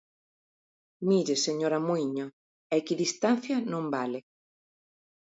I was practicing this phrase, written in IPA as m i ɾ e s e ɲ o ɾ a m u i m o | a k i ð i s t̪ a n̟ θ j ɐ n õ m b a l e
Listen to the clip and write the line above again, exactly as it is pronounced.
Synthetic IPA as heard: m i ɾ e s e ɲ o ɾ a m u i ɲ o | ɛ k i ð i s t̪ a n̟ θ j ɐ n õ m b a l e